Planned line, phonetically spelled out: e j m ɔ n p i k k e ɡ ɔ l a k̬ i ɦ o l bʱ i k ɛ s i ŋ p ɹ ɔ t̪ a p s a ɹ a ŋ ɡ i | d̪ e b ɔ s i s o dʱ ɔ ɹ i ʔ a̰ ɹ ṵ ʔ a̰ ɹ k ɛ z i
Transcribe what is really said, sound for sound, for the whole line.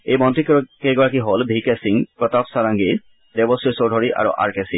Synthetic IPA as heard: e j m ɔ n t i k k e ɡ ɔ ɹ a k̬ i ɦ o l bʱ i k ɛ s i ŋ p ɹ ɔ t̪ a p s a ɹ a ŋ ɡ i | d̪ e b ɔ s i s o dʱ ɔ ɹ i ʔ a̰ ɹ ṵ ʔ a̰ ɹ k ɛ s i